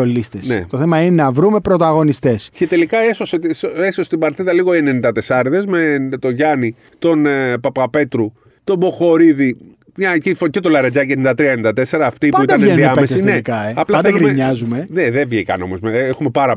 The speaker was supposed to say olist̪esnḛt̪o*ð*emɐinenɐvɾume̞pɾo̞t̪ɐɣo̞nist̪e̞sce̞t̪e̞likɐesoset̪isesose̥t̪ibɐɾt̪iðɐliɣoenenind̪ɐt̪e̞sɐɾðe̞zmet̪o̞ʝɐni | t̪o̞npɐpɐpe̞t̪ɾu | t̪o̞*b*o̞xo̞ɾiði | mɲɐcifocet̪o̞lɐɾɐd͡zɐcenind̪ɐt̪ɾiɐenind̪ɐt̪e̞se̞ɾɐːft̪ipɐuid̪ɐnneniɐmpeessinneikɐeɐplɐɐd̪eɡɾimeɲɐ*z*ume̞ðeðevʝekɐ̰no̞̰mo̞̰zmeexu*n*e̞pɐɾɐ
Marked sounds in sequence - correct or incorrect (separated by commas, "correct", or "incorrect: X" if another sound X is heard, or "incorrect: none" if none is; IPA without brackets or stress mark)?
incorrect: θ, correct, correct, incorrect: m